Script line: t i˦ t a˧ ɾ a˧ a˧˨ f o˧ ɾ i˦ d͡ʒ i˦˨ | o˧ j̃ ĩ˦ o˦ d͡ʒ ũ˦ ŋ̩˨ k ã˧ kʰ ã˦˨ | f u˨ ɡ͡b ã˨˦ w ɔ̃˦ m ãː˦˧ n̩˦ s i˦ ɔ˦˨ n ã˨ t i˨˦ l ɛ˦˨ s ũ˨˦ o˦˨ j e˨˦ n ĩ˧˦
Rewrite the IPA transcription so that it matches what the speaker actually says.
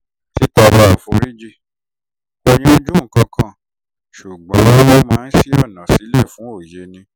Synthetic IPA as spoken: t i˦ t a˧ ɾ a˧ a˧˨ f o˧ ɾ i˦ d͡ʒ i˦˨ | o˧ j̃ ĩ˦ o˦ d͡ʒ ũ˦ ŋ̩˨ k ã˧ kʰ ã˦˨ | ʃ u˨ ɡ͡b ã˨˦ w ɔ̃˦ m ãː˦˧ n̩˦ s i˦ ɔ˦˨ n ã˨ s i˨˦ l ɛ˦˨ f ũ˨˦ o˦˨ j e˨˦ n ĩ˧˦